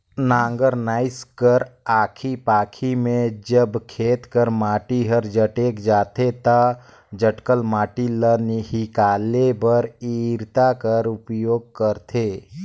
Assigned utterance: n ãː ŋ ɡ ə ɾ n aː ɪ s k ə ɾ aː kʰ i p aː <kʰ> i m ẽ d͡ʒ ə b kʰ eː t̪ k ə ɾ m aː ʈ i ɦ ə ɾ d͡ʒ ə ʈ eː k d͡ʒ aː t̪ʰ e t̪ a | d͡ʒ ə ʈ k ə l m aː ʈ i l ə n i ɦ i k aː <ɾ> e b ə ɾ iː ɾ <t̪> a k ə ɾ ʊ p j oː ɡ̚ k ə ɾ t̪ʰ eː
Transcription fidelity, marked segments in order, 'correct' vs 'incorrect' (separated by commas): correct, incorrect, correct